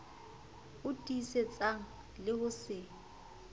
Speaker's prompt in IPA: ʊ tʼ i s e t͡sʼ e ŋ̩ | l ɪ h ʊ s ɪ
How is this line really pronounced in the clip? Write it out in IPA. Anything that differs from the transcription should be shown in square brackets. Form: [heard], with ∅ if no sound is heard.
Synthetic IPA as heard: ʊ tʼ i s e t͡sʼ [a] ŋ̩ | l ɪ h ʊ s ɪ